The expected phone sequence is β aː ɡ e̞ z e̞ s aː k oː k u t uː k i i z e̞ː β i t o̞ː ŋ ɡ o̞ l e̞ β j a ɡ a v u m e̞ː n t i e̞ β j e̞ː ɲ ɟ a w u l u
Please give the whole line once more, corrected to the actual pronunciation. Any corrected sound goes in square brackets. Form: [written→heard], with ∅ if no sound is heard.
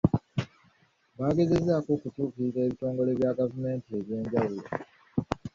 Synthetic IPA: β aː ɡ e̞ z e̞ [s→z] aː k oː k u t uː k i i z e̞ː β i t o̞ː ŋ ɡ o̞ l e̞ β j a ɡ a v u m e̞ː n t i e̞ β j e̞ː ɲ ɟ a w u l [u→o]